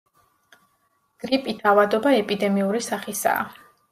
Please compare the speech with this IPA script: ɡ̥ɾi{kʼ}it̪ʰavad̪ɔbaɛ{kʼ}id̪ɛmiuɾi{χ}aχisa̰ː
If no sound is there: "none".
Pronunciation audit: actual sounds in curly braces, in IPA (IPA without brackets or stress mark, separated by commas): pʼ, pʼ, s